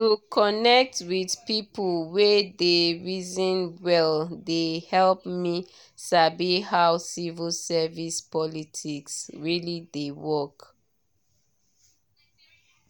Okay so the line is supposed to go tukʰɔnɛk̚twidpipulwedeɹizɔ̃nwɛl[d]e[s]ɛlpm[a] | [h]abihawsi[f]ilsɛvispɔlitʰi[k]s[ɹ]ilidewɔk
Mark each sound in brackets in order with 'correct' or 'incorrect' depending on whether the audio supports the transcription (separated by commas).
correct, incorrect, incorrect, incorrect, incorrect, correct, correct